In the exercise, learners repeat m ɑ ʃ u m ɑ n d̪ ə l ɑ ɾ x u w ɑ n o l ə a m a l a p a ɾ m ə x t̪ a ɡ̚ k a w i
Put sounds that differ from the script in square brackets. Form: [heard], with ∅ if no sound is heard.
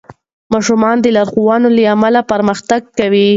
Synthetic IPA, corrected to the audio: m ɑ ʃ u m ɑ n d̪ ə l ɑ ɾ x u w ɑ n o l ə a m a l a p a ɾ m ə x t̪ a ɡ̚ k a w i